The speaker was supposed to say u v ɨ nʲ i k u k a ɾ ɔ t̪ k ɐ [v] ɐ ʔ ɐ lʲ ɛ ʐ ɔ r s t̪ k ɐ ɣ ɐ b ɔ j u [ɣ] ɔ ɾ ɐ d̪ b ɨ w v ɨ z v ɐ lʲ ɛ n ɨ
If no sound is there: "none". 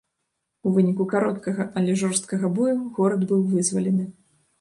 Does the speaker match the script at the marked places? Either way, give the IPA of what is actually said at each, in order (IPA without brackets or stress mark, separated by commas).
ɣ, ɣ